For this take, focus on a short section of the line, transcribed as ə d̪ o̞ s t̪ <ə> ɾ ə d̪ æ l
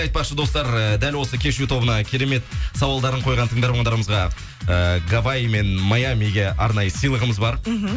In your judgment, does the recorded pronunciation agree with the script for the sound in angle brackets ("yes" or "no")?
no